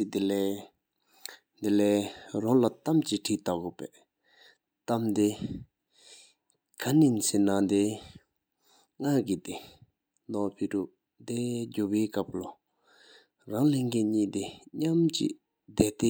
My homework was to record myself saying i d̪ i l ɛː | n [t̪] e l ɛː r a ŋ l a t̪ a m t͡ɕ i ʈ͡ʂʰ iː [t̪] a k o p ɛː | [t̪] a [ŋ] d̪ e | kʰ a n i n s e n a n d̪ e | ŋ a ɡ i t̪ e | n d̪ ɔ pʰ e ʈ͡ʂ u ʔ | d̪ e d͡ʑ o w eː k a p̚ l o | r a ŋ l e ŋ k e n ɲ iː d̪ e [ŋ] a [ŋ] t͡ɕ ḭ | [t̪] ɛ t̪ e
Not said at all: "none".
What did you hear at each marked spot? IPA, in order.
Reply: d̪, t̪, t̪, m, ɲ, m, d̪

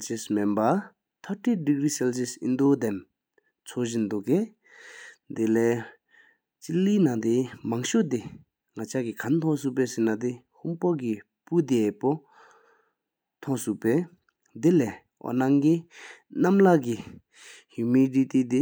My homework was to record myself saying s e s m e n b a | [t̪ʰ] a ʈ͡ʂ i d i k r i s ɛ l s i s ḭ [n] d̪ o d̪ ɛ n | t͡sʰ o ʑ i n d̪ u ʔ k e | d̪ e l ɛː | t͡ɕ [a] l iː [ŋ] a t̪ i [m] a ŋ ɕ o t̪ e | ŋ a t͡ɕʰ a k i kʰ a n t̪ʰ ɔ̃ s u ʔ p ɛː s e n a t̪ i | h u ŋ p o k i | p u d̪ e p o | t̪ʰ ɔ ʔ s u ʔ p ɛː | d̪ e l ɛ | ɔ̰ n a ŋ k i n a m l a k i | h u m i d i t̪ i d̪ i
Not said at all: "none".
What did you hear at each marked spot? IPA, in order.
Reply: t̪ʰ, n, i, n, m

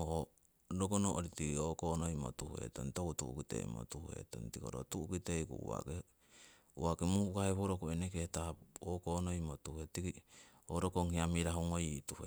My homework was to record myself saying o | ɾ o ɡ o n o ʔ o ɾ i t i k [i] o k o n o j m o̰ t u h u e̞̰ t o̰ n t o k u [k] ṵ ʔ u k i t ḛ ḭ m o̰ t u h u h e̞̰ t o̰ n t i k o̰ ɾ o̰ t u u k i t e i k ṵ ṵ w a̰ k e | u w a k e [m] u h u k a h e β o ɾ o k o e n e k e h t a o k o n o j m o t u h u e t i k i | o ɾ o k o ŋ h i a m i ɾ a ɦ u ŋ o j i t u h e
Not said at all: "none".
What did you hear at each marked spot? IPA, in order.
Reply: i, t, m

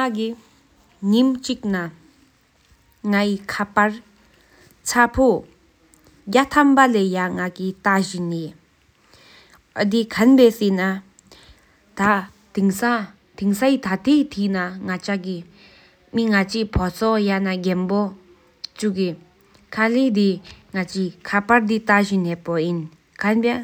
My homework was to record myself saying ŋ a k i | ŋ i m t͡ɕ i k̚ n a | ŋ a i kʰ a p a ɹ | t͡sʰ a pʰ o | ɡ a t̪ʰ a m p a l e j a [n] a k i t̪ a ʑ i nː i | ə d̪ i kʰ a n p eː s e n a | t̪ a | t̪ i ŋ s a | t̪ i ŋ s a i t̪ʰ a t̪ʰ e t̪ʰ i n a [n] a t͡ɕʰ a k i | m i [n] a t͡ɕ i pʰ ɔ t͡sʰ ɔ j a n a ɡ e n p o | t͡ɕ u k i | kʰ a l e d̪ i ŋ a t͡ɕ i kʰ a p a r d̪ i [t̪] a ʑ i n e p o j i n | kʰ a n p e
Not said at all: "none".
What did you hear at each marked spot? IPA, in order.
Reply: ŋ, ŋ, ŋ, t̪

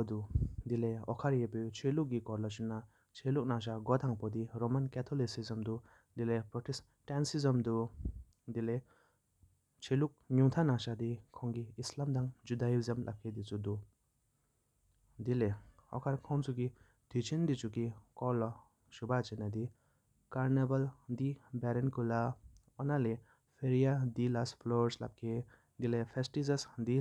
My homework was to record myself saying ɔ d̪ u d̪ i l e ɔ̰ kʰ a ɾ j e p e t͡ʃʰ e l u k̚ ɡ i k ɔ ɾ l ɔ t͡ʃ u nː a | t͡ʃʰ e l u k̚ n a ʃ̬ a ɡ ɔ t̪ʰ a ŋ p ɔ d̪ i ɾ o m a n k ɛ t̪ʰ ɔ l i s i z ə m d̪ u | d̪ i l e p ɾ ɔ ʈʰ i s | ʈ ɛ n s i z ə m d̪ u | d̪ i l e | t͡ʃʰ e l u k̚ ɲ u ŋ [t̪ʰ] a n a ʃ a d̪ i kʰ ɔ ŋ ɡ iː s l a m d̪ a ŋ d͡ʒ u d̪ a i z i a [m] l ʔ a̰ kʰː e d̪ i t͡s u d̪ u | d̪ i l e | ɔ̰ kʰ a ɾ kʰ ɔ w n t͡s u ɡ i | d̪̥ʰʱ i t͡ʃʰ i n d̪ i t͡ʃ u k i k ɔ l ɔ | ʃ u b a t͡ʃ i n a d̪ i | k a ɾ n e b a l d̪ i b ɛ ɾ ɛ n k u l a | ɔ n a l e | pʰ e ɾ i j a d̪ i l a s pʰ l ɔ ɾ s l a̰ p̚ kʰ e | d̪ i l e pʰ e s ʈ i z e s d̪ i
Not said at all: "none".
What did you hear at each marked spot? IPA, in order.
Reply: t̪ʰ, m

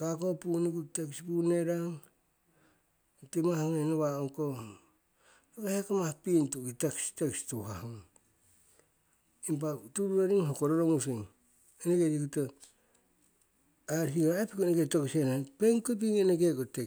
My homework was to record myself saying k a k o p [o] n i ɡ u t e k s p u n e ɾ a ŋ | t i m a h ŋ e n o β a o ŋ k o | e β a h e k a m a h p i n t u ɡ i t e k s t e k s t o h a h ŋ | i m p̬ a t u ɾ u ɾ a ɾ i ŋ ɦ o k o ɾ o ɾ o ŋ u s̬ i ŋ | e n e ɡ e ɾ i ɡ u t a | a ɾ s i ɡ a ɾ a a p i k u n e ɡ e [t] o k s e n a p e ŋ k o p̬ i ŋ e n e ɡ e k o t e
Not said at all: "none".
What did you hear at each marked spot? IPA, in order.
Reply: u, t

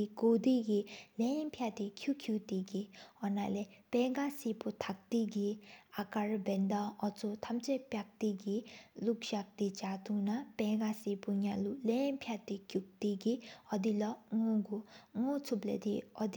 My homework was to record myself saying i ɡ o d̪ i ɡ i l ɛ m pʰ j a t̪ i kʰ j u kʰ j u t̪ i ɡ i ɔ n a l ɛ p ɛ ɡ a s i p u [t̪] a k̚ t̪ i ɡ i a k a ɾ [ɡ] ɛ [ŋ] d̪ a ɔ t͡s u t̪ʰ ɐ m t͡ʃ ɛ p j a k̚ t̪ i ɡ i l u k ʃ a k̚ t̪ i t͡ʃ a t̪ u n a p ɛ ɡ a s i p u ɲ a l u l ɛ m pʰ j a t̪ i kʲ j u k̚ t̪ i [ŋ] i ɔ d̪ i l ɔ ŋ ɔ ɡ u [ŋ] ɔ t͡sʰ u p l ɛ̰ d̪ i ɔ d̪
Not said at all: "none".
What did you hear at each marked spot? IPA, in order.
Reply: t̪ʰ, b, n, ɡ, ŋ

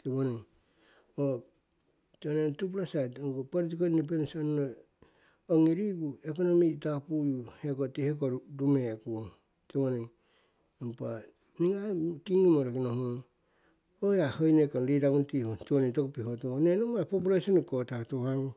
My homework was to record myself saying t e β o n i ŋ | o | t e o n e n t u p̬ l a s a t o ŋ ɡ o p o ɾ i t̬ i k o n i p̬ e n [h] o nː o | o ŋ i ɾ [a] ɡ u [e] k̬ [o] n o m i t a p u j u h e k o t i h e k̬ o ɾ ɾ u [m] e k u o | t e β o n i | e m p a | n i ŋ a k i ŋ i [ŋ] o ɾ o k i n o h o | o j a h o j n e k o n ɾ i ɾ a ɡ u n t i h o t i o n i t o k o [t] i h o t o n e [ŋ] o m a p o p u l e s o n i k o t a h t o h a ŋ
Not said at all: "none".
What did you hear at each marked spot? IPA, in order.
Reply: s, i, e, o, m, m, p, n

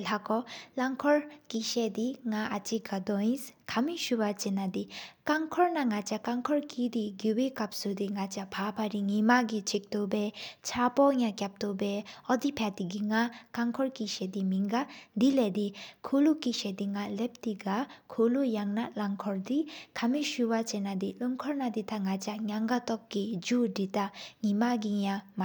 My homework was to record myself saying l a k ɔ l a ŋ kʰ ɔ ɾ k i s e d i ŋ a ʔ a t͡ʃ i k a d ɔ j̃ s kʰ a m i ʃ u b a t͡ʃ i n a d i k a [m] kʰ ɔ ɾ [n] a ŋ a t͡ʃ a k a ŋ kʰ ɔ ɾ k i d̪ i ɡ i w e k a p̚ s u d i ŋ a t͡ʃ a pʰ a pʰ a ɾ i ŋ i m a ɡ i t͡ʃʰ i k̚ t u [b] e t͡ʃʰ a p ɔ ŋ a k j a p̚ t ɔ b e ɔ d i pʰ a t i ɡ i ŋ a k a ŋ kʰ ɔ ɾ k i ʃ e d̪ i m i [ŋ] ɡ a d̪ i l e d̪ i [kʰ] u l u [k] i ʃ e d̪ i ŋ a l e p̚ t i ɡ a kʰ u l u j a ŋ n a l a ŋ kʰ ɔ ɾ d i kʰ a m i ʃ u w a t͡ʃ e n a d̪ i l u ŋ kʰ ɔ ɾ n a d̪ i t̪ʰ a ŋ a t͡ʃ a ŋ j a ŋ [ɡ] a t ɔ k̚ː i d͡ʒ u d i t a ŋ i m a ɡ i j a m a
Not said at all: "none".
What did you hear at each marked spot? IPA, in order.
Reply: ŋ, n, b, ŋ, kʰ, k, ɡ

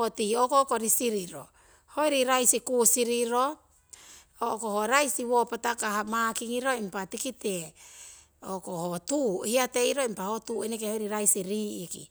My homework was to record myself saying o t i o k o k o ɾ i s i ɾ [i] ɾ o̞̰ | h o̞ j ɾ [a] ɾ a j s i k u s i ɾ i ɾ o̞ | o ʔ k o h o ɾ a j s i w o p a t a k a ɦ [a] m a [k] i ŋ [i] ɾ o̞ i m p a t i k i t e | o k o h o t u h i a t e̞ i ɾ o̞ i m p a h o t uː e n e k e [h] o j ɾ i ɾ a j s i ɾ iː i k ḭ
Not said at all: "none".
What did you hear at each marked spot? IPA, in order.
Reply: i, i, a, k, i, h

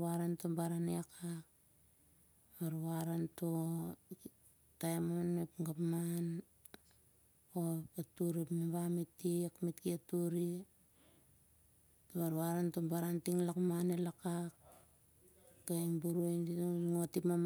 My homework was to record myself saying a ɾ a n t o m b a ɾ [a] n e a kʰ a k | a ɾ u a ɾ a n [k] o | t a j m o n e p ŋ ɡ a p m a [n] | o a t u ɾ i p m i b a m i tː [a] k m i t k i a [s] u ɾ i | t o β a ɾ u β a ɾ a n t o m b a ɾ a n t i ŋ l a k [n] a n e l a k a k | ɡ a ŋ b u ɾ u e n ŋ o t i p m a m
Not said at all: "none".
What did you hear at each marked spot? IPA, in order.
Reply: a, t, n, i, t, m

